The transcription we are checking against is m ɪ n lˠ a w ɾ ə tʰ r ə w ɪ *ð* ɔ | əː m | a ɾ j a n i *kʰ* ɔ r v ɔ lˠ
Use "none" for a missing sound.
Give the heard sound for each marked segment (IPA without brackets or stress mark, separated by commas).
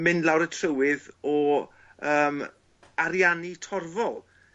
ð, tʰ